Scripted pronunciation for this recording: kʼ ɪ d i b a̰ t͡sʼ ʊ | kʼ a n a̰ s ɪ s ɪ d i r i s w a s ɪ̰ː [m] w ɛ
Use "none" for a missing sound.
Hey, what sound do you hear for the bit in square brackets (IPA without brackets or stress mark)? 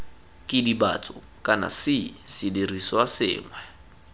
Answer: ŋ